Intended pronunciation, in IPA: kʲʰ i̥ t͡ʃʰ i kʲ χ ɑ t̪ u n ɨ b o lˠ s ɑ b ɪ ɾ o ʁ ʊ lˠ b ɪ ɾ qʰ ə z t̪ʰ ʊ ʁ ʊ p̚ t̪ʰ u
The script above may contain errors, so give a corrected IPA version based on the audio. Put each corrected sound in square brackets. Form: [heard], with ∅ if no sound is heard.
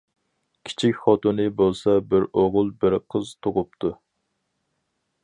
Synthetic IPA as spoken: kʲʰ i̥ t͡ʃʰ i kʲ χ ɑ t̪ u n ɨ b o lˠ s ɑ b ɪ ɾ o ʁ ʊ lˠ b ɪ ɾ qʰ ə z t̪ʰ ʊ ʁ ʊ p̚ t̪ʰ u